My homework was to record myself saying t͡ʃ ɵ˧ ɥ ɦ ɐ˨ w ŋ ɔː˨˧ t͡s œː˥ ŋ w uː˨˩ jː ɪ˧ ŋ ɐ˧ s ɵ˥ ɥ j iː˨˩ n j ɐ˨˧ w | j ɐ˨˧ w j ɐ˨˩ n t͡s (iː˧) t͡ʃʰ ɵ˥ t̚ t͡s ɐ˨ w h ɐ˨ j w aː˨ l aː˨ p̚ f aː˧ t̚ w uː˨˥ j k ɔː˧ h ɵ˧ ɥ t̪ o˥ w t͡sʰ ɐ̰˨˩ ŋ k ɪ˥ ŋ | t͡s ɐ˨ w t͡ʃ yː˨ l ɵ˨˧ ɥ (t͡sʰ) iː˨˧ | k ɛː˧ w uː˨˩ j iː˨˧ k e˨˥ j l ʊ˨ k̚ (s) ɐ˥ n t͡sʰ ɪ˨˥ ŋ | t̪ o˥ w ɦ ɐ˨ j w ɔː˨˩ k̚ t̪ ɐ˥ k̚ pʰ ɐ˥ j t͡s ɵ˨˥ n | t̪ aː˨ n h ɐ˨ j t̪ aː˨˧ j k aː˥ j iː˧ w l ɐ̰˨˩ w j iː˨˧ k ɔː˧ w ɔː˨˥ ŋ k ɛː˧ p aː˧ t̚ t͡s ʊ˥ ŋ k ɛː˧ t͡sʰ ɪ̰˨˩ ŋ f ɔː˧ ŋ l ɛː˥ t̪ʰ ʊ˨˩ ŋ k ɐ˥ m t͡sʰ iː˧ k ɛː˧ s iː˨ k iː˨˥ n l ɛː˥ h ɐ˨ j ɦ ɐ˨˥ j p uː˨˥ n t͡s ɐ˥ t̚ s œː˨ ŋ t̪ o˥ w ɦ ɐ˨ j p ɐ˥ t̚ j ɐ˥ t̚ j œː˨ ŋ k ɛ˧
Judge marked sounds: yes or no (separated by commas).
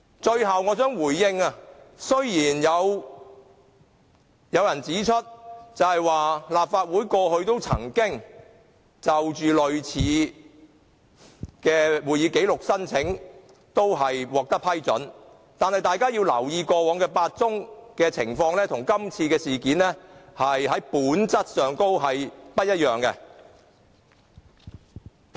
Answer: no, yes, yes